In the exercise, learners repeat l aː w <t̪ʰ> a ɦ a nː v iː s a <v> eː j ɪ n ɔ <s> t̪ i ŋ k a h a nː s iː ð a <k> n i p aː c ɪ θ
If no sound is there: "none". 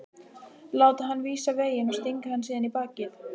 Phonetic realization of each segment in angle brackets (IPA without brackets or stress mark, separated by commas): t̪, v, s, none